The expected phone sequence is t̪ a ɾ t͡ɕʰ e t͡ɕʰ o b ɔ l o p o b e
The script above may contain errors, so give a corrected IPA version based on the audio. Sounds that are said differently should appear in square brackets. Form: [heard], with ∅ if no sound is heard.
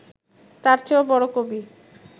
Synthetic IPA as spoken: t̪ a ɾ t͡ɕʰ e [∅] o b ɔ [ɽ] o [k] o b [i]